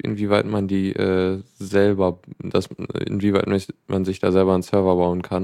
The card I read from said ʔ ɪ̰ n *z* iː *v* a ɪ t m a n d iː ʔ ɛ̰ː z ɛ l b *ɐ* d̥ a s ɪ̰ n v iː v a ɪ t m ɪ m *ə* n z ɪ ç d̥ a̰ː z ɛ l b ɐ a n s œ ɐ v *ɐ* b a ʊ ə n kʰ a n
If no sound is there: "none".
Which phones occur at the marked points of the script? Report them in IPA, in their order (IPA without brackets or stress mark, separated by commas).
v, v, ɐ, a, ɐ